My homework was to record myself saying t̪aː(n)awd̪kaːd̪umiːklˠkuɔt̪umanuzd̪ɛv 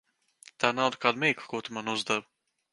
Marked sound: correct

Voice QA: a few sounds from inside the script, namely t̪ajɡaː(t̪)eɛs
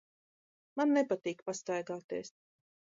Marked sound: correct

